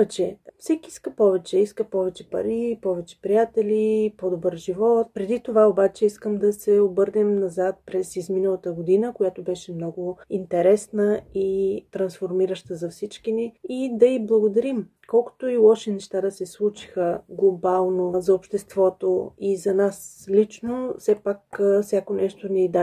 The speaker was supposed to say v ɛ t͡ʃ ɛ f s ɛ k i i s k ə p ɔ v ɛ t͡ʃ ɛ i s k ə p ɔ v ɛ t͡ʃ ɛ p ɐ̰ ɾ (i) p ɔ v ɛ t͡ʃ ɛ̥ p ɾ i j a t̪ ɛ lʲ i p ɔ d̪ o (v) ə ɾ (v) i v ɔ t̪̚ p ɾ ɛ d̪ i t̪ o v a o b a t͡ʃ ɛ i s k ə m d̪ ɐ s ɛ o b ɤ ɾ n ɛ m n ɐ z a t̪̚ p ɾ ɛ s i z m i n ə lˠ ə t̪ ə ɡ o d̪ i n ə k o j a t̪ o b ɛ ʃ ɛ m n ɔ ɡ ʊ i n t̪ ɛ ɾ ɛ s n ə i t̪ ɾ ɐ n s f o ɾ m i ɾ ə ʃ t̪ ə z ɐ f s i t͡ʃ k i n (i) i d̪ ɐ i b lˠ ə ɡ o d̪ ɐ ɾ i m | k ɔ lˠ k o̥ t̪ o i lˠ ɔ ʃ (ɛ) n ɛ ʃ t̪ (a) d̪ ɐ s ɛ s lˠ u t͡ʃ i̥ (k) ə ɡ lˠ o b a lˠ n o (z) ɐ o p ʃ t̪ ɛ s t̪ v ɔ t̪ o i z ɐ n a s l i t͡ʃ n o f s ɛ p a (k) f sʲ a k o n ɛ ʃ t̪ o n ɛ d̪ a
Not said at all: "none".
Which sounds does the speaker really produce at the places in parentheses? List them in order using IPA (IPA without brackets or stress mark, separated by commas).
i, b, ʒ, i, ɛ, a, x, z, k